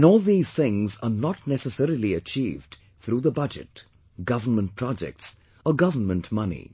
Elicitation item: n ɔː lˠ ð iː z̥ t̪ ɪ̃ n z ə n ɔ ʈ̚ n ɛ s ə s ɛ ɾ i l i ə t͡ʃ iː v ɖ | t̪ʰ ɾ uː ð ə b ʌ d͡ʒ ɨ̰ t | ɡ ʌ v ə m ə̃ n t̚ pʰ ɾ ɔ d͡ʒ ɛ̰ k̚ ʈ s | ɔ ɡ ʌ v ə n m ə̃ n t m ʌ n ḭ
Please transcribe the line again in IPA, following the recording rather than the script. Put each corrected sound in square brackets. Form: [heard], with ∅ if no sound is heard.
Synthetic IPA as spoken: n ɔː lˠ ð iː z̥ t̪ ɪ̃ [ŋ] z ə n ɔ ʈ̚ n ɛ s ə s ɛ ɾ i l i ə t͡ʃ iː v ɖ | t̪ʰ ɾ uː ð ə b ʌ d͡ʒ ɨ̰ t | ɡ ʌ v ə m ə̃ n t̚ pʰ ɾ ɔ d͡ʒ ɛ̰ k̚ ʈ s | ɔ ɡ ʌ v ə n m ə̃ n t m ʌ n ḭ